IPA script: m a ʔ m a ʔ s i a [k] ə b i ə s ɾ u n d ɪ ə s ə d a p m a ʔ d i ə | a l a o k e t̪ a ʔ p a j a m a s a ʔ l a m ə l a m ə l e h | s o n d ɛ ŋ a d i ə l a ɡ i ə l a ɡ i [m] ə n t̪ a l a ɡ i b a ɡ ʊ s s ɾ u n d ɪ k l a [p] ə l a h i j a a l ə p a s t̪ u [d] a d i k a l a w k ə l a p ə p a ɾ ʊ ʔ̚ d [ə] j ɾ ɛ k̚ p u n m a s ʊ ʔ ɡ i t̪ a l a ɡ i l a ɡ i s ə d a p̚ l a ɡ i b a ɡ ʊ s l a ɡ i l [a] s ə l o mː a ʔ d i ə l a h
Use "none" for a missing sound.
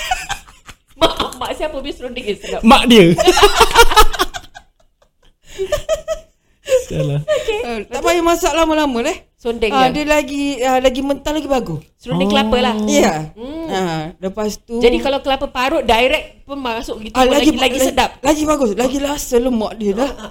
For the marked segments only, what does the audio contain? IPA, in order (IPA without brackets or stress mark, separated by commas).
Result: p, m, p, d͡ʒ, a, a